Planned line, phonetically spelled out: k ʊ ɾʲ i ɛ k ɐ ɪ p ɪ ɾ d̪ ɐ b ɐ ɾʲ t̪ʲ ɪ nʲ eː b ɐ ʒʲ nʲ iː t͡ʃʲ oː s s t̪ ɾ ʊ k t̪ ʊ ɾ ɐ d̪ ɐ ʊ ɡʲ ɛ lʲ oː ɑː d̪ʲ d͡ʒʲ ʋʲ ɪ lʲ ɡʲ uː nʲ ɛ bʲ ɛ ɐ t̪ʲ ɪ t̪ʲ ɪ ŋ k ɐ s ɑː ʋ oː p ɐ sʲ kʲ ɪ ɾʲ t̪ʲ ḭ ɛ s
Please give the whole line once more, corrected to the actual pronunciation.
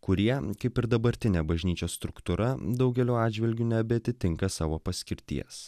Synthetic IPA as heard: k ʊ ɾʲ i ɛ k ɐ ɪ p ɪ ɾ d̪ ɐ b ɐ ɾʲ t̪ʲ ɪ nʲ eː b ɐ ʒʲ nʲ iː t͡ʃʲ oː s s t̪ ɾ ʊ k t̪ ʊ ɾ ɐ d̪ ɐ ʊ ɡʲ ɛ lʲ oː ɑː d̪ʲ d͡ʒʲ ʋʲ ɪ lʲ ɡʲ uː nʲ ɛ bʲ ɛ ɐ t̪ʲ ɪ t̪ʲ ɪ ŋ k ɐ s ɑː ʋ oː p ɐ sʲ kʲ ɪ ɾʲ t̪ʲ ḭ ɛ s